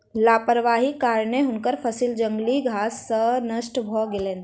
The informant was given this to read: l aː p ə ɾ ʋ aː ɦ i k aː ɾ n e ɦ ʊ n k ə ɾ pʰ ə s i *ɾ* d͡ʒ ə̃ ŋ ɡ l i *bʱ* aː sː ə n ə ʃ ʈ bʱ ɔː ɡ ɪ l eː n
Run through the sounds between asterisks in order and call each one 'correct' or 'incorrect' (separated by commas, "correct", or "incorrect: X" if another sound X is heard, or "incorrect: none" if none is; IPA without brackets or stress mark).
incorrect: l, incorrect: ɡʱ